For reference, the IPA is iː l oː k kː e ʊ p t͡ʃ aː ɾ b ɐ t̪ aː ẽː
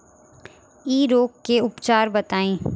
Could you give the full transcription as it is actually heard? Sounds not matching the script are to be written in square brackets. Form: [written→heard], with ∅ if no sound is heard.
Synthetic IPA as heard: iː [l→ɾ] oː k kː e ʊ p t͡ʃ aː ɾ b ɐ t̪ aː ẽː